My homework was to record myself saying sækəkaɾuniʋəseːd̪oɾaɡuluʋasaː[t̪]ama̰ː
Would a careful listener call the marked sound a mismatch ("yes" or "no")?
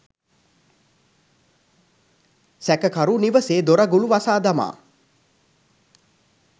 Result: yes